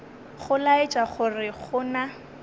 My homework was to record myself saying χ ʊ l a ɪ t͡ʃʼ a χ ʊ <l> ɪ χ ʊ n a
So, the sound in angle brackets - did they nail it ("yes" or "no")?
no